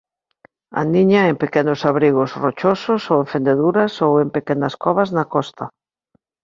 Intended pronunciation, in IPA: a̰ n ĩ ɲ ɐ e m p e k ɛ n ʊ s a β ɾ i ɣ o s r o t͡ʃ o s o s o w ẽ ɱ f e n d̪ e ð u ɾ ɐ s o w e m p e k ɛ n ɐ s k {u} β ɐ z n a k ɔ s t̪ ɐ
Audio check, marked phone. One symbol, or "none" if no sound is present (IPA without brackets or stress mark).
ɔ